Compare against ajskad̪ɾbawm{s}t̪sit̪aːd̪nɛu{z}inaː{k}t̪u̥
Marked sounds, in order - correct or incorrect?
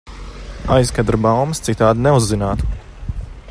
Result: correct, incorrect: zː, incorrect: none

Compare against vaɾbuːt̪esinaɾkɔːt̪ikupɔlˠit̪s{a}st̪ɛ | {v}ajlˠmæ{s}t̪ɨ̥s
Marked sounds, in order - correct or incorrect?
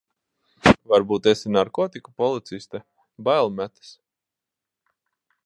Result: incorrect: i, incorrect: b, incorrect: none

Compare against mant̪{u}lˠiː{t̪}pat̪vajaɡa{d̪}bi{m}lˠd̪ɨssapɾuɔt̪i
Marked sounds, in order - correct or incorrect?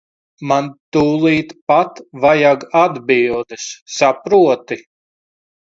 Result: incorrect: uː, correct, correct, incorrect: none

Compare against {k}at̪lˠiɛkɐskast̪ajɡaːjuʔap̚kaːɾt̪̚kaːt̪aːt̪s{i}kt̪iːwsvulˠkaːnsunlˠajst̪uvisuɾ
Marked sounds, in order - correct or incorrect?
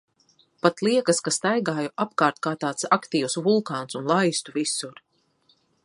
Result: incorrect: p, incorrect: a

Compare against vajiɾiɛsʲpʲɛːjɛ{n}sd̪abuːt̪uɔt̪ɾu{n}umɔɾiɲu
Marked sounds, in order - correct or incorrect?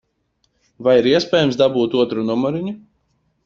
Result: incorrect: m, correct

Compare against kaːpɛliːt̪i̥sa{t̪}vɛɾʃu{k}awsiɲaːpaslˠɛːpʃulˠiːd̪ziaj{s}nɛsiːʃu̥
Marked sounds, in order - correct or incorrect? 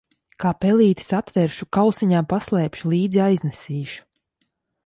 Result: correct, correct, incorrect: z

